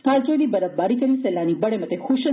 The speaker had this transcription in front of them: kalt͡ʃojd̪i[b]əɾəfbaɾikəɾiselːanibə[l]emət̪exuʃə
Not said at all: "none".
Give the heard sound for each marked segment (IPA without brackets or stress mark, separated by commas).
b, ɽ